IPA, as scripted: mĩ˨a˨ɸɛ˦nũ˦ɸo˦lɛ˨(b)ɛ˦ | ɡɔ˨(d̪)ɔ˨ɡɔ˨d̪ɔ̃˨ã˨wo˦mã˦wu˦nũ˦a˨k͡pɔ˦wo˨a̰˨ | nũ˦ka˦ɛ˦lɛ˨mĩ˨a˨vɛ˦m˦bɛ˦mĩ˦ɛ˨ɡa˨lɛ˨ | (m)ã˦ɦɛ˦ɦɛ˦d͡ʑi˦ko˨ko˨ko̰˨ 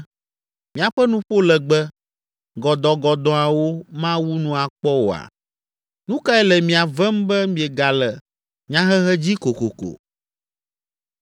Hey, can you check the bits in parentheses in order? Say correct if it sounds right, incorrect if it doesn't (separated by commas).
incorrect, correct, incorrect